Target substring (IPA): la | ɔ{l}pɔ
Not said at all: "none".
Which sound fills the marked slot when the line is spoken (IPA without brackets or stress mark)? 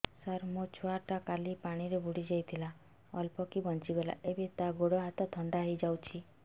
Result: l